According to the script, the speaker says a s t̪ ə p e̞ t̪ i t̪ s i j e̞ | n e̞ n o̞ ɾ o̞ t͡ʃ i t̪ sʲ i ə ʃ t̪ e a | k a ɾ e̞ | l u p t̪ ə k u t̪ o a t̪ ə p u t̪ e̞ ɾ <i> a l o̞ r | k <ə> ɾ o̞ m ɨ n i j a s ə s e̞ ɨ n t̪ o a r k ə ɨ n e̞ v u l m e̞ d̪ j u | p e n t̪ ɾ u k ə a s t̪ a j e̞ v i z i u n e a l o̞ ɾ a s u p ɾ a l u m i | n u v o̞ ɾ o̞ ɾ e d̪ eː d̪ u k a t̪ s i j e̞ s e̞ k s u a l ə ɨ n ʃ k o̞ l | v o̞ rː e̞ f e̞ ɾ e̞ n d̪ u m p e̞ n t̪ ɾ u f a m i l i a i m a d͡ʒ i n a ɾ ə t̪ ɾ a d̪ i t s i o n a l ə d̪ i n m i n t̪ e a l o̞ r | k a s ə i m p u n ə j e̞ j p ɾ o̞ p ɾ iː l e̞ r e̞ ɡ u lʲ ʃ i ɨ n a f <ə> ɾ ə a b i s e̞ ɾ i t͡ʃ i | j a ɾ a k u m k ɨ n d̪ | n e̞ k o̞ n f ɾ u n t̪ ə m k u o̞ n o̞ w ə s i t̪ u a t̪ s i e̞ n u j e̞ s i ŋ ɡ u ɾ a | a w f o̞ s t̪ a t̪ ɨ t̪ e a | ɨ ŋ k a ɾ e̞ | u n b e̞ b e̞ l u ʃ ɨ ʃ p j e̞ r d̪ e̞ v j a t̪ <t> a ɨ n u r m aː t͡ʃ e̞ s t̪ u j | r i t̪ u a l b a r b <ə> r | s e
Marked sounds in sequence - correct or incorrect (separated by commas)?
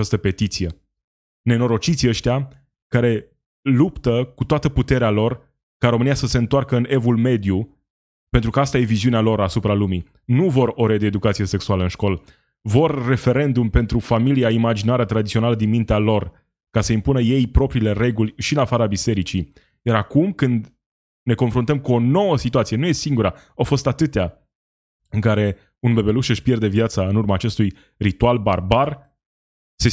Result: incorrect, incorrect, incorrect, incorrect, incorrect